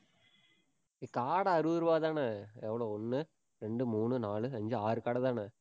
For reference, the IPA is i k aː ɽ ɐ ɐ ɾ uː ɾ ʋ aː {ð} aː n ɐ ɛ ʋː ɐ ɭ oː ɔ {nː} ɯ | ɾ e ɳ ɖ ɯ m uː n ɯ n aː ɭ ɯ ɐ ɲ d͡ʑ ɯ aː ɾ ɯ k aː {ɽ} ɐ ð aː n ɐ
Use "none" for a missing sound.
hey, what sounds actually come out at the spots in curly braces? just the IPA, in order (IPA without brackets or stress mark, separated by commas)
ð, nː, ɽ